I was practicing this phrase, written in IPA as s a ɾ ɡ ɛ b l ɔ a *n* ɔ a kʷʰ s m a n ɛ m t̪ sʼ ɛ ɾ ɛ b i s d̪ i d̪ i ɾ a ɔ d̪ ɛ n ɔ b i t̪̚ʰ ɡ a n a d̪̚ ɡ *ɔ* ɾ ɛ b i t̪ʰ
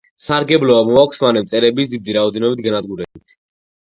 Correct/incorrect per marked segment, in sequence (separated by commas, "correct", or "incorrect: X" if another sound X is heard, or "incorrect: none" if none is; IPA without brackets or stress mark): incorrect: m, incorrect: u